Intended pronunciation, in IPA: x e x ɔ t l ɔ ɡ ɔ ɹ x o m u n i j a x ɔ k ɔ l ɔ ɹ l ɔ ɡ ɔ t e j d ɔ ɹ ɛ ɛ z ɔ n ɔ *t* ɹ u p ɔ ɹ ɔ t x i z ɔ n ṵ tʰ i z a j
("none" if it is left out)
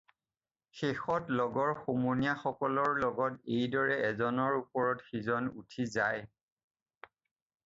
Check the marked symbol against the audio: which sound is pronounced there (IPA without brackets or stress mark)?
none